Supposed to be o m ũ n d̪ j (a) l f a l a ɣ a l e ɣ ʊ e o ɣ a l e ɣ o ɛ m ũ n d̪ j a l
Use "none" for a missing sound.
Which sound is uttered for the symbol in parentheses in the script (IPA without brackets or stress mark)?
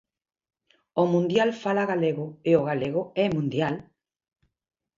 a